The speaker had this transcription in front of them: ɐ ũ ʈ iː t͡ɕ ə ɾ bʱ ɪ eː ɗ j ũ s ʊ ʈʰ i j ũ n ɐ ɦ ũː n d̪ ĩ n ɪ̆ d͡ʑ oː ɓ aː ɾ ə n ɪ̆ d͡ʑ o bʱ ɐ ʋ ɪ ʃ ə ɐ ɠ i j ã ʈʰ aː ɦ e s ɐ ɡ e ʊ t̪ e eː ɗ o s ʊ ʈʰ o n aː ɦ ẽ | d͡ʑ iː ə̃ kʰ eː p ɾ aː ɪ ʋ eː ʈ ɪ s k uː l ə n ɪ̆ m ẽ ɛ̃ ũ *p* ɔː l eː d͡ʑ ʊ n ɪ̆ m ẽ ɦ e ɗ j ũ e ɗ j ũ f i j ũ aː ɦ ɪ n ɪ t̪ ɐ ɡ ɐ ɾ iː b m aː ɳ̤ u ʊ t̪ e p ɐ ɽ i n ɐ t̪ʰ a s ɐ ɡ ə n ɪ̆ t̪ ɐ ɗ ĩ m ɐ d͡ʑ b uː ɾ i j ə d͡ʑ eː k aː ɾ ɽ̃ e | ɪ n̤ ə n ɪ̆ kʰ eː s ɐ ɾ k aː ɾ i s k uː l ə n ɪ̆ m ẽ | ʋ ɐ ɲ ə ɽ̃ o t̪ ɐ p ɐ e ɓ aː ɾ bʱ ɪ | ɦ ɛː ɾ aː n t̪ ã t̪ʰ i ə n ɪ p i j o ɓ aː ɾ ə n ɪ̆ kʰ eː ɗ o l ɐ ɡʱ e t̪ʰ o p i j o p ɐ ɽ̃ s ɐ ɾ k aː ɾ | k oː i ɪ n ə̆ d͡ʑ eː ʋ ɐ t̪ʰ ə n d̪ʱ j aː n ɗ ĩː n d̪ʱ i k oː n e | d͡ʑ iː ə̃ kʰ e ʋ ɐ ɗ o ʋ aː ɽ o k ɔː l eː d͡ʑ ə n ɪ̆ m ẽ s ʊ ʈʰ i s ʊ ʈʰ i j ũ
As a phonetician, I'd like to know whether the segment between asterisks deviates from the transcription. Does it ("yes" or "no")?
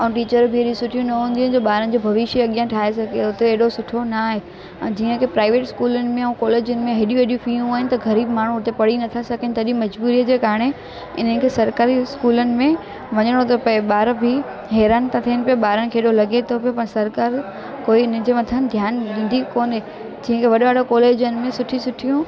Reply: yes